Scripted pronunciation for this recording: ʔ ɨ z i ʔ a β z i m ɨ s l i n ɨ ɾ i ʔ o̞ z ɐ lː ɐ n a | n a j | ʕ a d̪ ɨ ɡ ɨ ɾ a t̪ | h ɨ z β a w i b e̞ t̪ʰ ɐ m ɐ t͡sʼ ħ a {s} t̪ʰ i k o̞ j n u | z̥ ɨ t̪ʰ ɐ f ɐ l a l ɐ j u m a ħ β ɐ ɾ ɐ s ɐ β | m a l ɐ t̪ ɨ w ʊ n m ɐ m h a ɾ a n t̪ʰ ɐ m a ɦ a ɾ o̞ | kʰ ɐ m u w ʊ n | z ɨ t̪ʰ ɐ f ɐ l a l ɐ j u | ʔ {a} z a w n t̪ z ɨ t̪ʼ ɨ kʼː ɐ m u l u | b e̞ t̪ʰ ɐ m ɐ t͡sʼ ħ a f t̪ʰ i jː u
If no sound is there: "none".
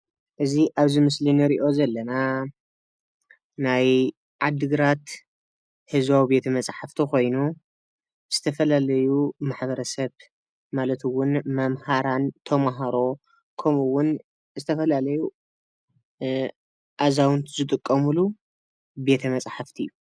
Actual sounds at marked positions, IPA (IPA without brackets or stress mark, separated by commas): f, a